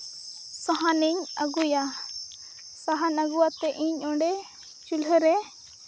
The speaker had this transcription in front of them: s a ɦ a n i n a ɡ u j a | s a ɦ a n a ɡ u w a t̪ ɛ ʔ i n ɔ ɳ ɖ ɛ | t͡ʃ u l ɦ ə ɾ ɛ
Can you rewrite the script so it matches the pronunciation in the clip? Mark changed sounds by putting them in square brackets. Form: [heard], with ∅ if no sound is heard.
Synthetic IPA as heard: s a ɦ a n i [ɲ] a ɡ u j a | s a ɦ a n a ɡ u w a t̪ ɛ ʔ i [ɲ] ɔ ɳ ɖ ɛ | t͡ʃ u l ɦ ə ɾ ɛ